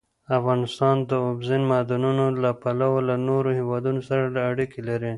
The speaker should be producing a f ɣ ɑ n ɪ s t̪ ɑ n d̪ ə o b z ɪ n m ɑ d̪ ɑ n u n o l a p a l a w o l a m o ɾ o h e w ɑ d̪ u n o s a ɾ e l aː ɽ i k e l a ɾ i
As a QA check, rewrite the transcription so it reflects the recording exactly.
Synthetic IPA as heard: a f ɣ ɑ n ɪ s t̪ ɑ n d̪ ə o b z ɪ n m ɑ d̪ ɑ n u n o l a p a l a w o l a n o ɾ o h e w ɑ d̪ u n o s a ɾ a l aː ɽ i k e l a ɾ i